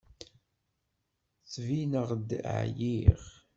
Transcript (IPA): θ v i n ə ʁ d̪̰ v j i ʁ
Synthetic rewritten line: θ v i n ə ʁ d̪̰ ʕ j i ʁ